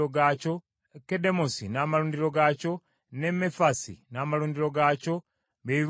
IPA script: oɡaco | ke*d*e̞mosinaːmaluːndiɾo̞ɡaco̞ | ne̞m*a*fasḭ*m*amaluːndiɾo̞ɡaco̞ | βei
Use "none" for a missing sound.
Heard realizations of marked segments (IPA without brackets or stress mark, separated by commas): d, e, n